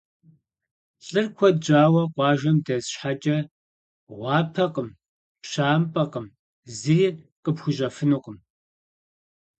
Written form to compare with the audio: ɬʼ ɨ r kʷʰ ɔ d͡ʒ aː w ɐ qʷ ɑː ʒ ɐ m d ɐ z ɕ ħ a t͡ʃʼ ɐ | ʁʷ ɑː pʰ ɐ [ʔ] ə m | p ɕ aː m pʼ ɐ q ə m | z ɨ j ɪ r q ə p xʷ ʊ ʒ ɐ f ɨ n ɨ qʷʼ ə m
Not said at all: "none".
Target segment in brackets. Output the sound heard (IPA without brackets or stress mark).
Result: q